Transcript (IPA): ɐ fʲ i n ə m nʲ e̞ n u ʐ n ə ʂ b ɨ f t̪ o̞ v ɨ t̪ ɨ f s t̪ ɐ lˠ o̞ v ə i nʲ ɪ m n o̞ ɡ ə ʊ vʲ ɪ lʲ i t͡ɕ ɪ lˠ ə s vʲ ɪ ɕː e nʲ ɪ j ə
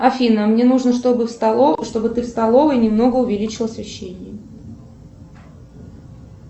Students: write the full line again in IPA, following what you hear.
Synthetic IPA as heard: ɐ fʲ i n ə m nʲ e̞ n u ʐ n ə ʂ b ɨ ʂ t̪ o̞ b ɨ t̪ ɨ f s t̪ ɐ lˠ o̞ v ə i nʲ ɪ m n o̞ ɡ ə ʊ vʲ ɪ lʲ i t͡ɕ ɪ lˠ ə s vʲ ɪ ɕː e nʲ ɪ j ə

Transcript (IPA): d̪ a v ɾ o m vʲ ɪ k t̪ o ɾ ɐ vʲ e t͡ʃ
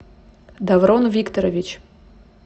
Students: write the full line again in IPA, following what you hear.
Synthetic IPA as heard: d̪ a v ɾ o n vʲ i k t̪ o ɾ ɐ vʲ i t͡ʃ

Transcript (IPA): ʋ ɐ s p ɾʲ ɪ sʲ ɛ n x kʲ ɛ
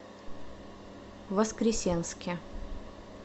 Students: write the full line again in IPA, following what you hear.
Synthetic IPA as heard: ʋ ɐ s k ɾʲ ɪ sʲ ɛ n s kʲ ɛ

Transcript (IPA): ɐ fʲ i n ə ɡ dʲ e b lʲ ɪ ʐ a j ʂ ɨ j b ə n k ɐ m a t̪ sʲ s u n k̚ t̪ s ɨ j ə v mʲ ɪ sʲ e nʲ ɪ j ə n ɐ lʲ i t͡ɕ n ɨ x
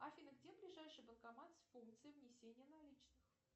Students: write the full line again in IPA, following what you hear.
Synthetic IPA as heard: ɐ fʲ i n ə ɡ dʲ e b lʲ ɪ ʐ a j ʂ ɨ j b ə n k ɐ m a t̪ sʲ f u n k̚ t̪ s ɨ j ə v nʲ ɪ sʲ e nʲ ɪ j ə n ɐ lʲ i t͡ɕ n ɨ x

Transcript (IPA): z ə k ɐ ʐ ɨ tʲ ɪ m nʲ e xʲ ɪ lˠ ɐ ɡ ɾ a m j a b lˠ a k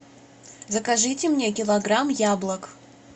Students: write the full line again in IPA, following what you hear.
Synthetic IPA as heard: z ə k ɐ ʐ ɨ tʲ ɪ m nʲ e kʲ ɪ lˠ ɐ ɡ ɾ a m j a b lˠ ə k

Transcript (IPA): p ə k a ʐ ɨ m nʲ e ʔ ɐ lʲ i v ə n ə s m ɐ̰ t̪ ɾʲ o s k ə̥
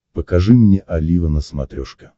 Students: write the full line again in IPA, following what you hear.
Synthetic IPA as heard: p ə k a ʐ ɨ m nʲ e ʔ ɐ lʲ i v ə n ə s m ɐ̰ t̪ ɾʲ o ʂ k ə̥

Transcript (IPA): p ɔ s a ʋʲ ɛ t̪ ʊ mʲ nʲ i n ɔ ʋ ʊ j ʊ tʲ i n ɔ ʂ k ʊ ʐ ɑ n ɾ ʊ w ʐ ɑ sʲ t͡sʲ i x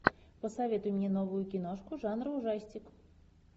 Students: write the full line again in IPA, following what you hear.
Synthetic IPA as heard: p ɔ s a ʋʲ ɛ t̪ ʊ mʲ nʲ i n ɔ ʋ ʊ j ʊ kʲ i n ɔ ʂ k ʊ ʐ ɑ n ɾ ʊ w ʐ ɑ sʲ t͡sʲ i k

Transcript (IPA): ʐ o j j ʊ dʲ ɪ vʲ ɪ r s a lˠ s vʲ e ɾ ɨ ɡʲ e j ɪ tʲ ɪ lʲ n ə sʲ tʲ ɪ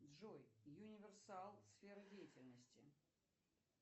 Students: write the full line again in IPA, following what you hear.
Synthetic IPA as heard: ʐ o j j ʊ nʲ ɪ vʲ ɪ r s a lˠ s fʲ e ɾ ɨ dʲ e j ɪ tʲ ɪ lʲ n ə sʲ tʲ ɪ

